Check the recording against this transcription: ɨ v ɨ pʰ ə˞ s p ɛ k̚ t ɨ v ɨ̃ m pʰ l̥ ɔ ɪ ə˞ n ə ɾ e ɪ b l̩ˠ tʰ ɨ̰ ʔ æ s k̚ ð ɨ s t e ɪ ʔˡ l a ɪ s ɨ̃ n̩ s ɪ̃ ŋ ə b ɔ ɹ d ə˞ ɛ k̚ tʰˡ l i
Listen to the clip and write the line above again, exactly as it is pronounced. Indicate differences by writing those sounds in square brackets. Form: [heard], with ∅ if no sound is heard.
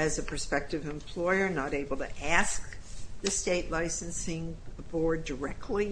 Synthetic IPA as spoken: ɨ [z] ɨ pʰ ə˞ s p ɛ k̚ t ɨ v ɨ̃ m pʰ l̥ ɔ ɪ ə˞ n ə ɾ e ɪ b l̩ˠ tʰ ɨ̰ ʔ æ s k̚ ð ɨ s t e ɪ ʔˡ l a ɪ s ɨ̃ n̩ s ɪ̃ ŋ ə b ɔ ɹ d ə˞ ɛ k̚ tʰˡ l i